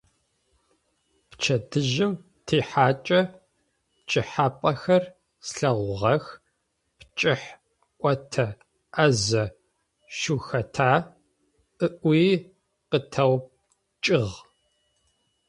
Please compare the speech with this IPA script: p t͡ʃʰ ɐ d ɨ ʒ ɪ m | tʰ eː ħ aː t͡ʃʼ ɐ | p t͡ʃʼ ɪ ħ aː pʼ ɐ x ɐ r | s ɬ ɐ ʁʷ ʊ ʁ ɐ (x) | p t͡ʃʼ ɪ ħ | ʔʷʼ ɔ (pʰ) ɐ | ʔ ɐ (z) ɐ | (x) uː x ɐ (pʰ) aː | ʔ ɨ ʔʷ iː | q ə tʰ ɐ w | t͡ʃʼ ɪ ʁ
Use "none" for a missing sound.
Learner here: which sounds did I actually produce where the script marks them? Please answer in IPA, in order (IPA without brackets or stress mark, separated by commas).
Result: x, tʰ, z, ʃ, tʰ